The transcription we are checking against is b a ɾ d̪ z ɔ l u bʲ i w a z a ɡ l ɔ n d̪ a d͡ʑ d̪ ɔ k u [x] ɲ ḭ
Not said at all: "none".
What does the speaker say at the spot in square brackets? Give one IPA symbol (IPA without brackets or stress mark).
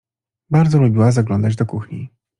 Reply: x